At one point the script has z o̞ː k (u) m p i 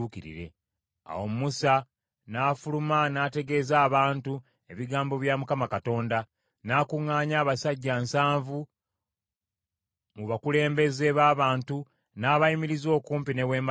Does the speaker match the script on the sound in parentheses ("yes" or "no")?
no